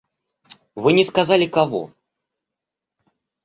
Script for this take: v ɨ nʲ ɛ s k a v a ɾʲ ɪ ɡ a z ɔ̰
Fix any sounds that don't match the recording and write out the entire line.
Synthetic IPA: v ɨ nʲ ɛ s k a z a lʲ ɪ k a v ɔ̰